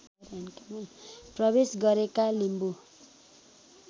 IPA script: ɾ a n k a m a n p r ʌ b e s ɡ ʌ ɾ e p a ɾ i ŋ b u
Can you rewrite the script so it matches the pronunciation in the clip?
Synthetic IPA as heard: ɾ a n k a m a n p r ʌ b e s ɡ ʌ ɾ e k a l i m b u